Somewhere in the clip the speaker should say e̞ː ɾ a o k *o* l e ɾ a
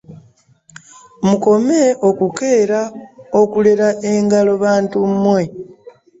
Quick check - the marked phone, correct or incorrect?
incorrect